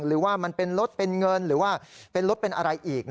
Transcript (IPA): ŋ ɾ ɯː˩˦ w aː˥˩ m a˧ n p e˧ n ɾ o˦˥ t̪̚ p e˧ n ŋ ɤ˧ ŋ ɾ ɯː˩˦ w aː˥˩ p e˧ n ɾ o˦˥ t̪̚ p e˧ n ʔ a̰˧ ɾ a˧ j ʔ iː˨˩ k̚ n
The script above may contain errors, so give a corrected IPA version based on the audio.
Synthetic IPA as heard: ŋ ɾ ɯː˩˦ w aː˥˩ m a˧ n p e˧ n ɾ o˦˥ t̪̚ p e˧ n ŋ ɤ˧ n ɾ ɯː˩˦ w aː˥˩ p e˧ n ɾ o˦˥ t̪̚ p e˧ n ʔ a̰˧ ɾ a˧ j ʔ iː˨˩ k̚ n